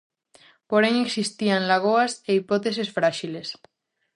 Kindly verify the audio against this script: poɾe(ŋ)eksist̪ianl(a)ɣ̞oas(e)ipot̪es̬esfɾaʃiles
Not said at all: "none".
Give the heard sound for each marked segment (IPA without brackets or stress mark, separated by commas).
ŋ, a, e